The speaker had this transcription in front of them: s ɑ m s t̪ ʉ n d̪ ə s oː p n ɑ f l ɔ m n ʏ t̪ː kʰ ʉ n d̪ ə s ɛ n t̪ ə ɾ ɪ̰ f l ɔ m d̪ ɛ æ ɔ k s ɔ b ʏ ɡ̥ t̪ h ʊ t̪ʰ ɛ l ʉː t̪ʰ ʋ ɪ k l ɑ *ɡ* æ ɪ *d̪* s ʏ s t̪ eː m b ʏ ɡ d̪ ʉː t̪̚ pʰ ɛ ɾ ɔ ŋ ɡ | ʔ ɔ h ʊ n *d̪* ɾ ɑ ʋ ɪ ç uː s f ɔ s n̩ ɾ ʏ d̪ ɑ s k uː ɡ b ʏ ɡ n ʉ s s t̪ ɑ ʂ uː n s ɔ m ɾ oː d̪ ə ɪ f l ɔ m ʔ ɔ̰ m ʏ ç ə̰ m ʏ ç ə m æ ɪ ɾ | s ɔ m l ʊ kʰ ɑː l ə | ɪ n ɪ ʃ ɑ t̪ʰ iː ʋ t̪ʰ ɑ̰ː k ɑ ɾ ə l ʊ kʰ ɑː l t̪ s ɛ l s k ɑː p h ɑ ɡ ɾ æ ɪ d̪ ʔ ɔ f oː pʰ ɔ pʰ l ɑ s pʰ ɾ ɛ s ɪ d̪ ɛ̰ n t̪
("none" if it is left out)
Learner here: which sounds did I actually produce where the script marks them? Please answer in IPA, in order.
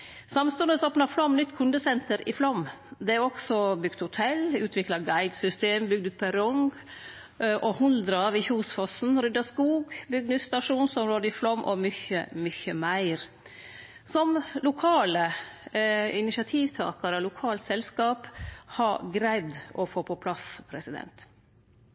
ɡ, d̪, d̪

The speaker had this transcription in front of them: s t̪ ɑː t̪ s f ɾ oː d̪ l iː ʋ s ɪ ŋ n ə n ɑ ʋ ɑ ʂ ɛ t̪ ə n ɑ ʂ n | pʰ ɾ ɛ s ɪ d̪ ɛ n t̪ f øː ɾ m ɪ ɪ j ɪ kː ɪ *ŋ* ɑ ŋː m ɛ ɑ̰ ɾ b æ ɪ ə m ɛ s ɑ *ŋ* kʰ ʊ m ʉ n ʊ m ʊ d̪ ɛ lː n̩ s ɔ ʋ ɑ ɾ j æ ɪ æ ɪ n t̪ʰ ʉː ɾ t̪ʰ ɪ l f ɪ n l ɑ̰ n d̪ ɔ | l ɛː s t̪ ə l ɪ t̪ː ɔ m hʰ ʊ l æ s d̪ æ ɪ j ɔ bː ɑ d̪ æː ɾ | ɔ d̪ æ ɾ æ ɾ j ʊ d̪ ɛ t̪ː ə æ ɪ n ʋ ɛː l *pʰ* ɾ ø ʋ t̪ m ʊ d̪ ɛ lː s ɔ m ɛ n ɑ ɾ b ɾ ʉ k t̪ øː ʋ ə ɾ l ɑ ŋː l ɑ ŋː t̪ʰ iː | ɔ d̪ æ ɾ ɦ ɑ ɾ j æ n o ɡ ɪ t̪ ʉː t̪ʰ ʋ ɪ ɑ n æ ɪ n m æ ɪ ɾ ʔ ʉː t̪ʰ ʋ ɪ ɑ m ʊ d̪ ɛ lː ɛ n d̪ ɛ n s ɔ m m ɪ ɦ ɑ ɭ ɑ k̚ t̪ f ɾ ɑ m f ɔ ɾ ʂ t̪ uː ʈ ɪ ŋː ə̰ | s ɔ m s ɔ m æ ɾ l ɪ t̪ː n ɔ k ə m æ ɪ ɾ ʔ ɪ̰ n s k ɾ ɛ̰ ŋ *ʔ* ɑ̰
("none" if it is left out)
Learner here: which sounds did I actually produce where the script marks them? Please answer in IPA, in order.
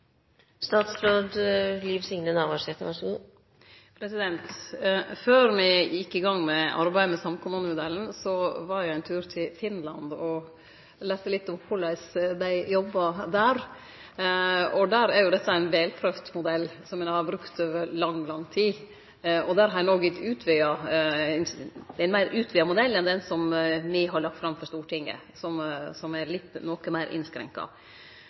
ɡ, m, pʰ, k

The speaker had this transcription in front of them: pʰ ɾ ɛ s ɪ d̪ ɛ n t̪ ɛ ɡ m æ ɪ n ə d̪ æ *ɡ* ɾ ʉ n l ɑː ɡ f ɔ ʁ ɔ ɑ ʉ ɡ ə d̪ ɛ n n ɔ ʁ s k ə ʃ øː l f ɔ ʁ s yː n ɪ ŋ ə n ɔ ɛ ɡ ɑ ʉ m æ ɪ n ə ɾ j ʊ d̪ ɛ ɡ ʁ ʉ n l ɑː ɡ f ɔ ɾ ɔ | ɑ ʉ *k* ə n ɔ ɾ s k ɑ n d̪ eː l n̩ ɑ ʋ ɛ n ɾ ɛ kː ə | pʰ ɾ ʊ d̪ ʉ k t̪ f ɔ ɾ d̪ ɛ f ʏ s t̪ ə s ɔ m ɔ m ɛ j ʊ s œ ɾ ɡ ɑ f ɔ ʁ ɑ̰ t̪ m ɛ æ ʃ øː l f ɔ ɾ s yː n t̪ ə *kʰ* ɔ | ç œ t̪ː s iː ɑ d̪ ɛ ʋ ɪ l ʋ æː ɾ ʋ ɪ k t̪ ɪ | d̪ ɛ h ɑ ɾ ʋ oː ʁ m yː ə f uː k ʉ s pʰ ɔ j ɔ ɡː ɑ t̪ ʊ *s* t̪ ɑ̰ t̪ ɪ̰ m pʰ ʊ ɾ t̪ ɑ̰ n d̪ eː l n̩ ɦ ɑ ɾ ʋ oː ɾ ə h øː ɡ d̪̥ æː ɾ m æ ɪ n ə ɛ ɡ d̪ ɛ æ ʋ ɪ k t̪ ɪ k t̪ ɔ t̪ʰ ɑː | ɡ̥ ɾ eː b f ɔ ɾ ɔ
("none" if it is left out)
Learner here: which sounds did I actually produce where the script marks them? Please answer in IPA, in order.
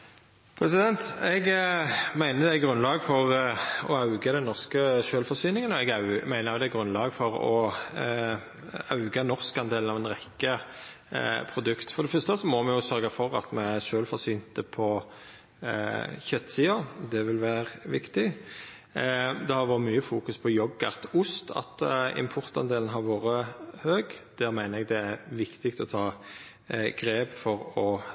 ɡ, ɡ, pʰ, s

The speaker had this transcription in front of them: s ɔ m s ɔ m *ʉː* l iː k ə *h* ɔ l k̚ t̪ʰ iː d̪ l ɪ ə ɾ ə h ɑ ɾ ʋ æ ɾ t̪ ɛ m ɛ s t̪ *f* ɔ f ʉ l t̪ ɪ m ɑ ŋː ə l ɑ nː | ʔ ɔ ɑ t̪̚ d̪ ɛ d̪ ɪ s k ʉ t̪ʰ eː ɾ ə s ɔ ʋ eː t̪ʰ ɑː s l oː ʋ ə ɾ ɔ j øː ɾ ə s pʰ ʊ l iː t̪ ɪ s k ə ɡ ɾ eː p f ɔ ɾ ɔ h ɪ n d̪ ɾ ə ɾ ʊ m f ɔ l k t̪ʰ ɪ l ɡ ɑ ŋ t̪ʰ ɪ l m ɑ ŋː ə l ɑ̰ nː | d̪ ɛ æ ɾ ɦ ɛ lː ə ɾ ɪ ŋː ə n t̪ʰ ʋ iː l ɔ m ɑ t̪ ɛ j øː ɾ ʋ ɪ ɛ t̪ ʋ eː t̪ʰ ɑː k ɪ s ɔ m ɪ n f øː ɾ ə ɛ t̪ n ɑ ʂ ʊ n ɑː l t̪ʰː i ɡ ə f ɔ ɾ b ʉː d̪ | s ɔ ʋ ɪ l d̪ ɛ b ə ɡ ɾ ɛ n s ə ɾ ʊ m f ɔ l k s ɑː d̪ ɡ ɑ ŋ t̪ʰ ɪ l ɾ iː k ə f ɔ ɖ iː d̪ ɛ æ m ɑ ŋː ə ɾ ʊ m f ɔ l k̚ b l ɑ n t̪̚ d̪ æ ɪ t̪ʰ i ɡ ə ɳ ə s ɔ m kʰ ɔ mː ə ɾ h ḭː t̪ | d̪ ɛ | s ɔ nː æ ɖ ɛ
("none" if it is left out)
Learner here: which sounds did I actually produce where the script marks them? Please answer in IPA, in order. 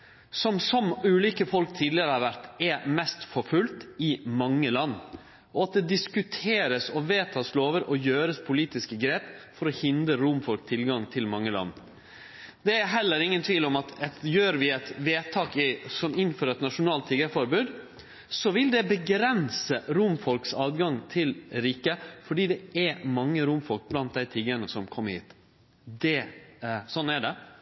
ʉː, f, f

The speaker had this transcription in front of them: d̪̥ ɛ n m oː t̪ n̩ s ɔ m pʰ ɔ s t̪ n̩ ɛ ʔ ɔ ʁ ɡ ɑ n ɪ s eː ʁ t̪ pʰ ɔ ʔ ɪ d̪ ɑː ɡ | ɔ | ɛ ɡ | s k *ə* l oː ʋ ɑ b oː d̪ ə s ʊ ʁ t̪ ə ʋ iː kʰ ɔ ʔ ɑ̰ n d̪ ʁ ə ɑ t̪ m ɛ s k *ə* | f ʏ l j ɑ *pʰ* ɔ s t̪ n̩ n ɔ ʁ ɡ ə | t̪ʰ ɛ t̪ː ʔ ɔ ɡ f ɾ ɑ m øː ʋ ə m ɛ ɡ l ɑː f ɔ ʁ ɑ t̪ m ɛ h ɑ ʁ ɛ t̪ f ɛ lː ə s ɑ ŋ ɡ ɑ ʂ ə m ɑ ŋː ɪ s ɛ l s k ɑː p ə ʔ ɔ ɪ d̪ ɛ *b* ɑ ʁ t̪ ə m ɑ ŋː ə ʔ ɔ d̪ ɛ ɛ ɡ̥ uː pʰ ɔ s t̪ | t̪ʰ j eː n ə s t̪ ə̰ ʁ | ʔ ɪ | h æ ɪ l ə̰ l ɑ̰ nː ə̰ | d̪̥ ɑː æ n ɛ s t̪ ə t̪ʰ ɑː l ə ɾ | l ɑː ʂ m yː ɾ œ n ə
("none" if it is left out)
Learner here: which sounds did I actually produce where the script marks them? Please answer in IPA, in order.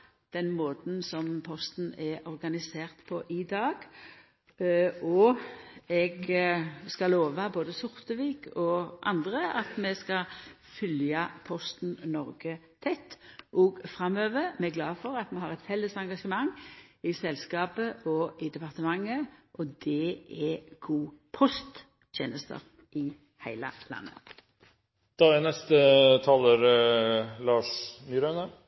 ɑ, ɑ, pʰ, p

